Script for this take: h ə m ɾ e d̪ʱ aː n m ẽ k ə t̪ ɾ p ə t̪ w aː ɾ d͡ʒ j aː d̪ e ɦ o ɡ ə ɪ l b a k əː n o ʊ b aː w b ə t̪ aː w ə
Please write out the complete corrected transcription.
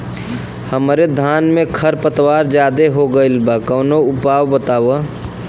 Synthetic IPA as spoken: h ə m ɾ e d̪ʱ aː n m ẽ kʰ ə ɾ p ə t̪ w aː ɾ d͡ʒ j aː d̪ e ɦ o ɡ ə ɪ l b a k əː n o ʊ p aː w b ə t̪ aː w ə